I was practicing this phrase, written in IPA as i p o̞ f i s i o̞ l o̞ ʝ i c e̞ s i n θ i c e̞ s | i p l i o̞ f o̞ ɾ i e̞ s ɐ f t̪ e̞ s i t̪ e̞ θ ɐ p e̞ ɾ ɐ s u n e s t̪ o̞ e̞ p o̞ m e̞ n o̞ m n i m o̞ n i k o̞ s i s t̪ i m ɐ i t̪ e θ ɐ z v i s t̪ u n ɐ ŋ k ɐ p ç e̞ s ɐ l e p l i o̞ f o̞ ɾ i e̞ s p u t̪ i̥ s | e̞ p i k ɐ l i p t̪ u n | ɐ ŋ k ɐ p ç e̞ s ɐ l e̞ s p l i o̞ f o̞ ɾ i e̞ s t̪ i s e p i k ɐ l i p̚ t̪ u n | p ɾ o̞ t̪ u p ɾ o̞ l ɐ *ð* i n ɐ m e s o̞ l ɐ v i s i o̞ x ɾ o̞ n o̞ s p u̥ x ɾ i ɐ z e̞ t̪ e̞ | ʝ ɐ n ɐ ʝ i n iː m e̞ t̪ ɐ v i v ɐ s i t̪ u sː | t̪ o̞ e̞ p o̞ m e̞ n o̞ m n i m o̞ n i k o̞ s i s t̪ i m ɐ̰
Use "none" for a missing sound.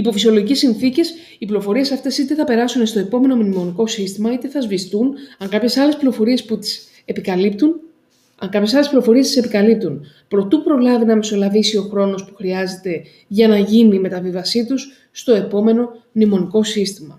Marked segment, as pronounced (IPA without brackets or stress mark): v